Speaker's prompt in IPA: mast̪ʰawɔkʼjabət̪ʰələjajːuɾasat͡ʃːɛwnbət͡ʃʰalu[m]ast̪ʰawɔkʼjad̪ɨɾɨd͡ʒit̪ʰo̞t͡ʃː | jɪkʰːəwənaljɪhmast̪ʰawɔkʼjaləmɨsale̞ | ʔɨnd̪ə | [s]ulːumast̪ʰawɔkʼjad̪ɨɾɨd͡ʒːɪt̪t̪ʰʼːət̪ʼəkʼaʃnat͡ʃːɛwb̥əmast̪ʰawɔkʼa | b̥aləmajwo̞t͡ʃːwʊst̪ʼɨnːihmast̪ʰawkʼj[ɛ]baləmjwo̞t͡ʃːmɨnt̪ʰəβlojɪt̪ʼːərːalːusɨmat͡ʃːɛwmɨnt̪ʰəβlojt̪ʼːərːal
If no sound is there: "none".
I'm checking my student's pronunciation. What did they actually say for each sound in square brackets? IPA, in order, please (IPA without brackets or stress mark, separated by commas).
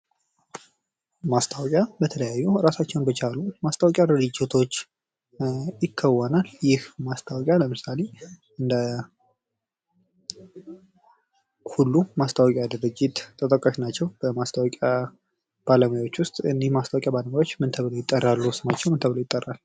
m, h, a